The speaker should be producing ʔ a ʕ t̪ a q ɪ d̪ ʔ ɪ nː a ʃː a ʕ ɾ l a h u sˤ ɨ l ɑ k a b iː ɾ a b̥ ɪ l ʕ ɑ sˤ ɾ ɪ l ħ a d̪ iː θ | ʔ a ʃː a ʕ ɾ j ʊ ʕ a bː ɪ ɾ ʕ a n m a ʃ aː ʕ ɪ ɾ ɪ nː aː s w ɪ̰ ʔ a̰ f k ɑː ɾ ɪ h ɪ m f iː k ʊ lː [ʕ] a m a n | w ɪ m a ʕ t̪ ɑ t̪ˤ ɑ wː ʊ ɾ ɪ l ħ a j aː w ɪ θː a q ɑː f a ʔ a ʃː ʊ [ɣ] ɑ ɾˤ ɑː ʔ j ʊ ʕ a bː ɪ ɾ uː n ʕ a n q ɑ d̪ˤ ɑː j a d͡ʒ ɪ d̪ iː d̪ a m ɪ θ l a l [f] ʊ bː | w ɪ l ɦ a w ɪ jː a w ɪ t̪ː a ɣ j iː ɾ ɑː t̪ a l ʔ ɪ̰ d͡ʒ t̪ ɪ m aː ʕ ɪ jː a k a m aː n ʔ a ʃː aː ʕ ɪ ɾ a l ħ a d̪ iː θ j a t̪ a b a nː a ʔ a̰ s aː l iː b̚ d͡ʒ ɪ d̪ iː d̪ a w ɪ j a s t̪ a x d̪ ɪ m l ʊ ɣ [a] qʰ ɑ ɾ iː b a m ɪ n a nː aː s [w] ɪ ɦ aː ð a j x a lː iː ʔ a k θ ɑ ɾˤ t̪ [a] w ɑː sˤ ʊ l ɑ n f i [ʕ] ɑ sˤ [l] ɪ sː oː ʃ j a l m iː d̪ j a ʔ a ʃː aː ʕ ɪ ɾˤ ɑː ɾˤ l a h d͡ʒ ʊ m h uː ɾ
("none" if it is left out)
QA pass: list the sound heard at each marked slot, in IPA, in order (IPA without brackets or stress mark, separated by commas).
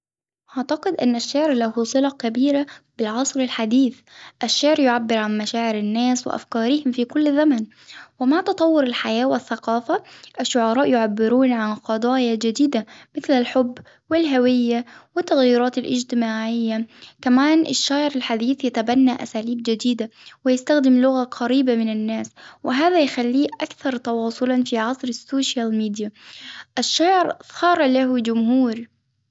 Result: z, ʕ, ħ, a, w, ɑ, ʕ, ɾ